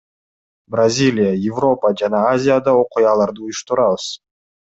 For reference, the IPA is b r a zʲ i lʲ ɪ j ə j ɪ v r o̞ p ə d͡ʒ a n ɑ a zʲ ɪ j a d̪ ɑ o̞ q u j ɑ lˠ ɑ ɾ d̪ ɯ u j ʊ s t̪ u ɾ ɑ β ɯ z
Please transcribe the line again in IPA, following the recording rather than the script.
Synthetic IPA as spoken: b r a zʲ i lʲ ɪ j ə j ɪ v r o̞ p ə d͡ʒ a n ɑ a zʲ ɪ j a d̪ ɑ o̞ q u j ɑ lˠ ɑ ɾ d̪ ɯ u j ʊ ʃ t̪ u ɾ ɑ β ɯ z

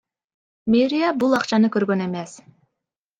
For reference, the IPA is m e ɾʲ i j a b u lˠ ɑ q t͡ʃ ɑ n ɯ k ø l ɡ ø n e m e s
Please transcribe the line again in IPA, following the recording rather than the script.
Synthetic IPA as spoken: m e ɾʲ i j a b u lˠ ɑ q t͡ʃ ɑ n ɯ k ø ɾ ɡ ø n e m e s

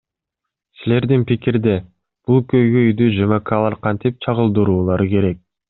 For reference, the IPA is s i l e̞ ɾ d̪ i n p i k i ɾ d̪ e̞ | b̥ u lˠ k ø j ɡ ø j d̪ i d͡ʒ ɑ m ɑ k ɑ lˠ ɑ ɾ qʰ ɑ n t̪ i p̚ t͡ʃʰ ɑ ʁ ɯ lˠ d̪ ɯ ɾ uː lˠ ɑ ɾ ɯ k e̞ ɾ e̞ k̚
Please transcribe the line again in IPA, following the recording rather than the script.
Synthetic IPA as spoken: s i l e̞ ɾ d̪ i n p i k i ɾ d̪ e̞ | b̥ u lˠ k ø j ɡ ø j d̪ y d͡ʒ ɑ m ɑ k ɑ lˠ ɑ ɾ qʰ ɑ n t̪ i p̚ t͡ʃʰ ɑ ʁ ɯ lˠ d̪ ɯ ɾ uː lˠ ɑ ɾ ɯ k e̞ ɾ e̞ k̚

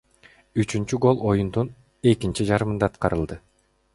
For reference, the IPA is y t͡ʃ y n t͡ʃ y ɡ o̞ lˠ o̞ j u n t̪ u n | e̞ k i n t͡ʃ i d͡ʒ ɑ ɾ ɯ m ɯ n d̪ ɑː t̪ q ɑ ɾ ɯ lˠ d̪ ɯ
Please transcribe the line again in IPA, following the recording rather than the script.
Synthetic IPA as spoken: y t͡ʃ y n t͡ʃ y ɡ o̞ lˠ o̞ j u n d̪ u n | e̞ k i n t͡ʃ i d͡ʒ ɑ ɾ ɯ m ɯ n d̪ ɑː t̪ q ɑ ɾ ɯ lˠ d̪ ɯ

